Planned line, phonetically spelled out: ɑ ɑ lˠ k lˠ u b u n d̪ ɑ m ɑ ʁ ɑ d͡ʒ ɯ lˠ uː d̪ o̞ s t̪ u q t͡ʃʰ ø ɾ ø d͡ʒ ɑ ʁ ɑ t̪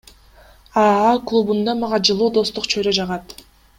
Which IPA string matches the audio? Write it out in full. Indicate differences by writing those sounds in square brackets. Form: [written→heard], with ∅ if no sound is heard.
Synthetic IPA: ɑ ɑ [lˠ→∅] k lˠ u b u n d̪ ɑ m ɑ ʁ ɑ d͡ʒ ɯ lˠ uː d̪ o̞ s t̪ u q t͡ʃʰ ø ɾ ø d͡ʒ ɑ ʁ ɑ t̪